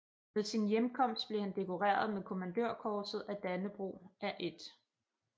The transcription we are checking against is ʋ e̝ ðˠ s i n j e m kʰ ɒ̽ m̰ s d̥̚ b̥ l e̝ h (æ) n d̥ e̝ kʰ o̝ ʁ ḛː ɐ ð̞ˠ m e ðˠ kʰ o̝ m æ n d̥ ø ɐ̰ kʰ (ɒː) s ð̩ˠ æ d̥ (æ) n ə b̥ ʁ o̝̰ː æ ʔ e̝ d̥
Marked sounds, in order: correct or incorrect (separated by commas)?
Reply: correct, correct, correct